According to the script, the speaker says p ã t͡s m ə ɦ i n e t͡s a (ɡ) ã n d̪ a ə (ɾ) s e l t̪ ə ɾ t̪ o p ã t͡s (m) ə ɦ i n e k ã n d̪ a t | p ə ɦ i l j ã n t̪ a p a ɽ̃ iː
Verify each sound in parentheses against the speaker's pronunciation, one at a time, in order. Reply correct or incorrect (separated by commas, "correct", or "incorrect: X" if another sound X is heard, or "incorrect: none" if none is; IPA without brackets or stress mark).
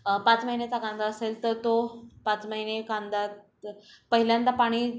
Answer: incorrect: k, incorrect: none, correct